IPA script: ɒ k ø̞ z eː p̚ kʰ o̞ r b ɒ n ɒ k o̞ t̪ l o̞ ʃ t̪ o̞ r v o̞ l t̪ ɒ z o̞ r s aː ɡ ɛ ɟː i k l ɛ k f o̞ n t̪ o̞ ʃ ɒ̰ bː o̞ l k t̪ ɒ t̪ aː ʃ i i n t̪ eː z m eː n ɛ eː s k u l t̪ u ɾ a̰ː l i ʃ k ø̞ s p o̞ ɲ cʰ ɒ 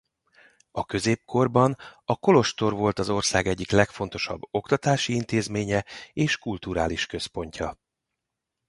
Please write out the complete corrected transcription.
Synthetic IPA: ɒ k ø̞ z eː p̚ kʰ o̞ r b ɒ n ɒ k o̞ l o̞ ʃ t̪ o̞ r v o̞ l t̪ ɒ z o̞ r s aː ɡ ɛ ɟː i k l ɛ k f o̞ n t̪ o̞ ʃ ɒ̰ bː o̞ k t̪ ɒ t̪ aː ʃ i i n t̪ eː z m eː ɲ ɛ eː ʃ k u l t̪ u ɾ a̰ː l i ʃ k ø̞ s p o̞ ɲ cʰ ɒ